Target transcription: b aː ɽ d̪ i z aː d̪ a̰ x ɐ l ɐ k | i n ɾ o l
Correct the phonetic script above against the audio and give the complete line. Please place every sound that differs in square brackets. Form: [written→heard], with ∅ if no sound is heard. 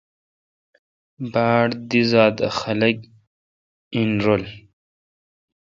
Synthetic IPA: b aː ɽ d̪ i z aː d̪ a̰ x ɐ l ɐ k | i n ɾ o l